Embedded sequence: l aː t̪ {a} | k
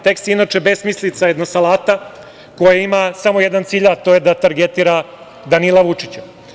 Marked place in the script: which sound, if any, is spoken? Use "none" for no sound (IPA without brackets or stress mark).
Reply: a